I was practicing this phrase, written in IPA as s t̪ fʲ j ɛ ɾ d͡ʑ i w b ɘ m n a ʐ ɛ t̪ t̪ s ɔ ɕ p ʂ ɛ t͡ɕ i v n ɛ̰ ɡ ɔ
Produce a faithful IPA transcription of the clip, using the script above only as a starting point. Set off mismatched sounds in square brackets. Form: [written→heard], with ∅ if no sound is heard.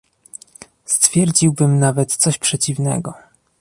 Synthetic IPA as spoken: s t̪ fʲ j ɛ ɾ d͡ʑ i w b ɘ m n a [ʐ→v] ɛ t̪ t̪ s ɔ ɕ p ʂ ɛ t͡ɕ i v n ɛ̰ ɡ ɔ